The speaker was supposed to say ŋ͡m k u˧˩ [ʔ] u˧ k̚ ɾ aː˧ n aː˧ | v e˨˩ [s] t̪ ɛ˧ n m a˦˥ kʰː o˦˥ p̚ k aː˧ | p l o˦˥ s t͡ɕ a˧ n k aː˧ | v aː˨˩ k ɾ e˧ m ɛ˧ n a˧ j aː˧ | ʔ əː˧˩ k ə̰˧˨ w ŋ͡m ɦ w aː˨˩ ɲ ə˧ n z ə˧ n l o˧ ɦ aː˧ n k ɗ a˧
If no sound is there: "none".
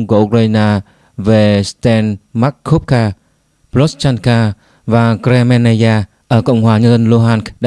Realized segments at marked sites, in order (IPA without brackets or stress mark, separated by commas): ʔ, s